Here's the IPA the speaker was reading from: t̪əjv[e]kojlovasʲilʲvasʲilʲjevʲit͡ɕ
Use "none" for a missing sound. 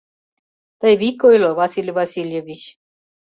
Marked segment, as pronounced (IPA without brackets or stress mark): i